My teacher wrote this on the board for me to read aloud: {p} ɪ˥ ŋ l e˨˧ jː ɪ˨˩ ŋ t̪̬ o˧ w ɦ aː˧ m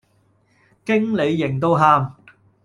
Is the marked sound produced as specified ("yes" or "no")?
no